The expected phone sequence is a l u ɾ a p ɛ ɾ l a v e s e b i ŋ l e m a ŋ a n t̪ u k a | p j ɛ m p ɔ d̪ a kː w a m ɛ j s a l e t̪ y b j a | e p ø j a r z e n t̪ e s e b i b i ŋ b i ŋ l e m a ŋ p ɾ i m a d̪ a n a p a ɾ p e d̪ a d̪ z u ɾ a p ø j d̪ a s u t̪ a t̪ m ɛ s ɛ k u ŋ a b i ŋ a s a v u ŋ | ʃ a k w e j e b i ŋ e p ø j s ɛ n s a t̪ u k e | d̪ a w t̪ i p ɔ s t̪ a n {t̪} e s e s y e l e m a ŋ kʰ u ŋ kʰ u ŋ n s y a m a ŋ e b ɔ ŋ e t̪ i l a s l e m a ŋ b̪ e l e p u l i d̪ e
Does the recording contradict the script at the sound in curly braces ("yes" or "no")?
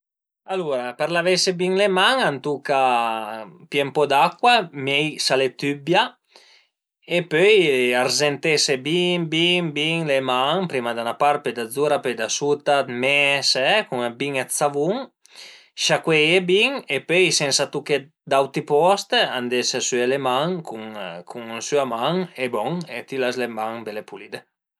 yes